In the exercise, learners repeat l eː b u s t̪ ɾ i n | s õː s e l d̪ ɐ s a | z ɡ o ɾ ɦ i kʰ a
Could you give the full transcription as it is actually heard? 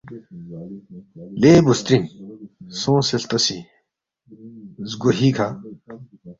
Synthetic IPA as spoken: l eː b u s t̪ ɾ i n | s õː s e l t̪ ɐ s i | z ɡ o ɦ i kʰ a